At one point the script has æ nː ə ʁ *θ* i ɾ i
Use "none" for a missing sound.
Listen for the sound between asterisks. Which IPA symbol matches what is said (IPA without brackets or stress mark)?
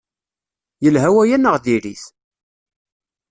ð